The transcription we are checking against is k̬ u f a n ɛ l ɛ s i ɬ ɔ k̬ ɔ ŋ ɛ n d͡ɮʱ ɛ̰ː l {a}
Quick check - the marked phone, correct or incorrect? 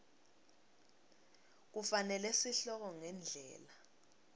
correct